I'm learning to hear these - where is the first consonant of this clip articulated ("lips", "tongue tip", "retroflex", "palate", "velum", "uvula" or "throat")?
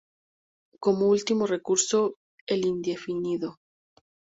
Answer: velum